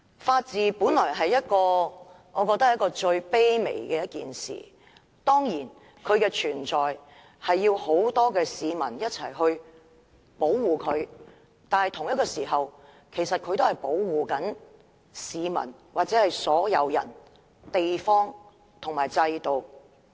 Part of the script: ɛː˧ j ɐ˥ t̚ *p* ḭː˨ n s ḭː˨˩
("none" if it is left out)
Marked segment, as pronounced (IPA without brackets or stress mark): k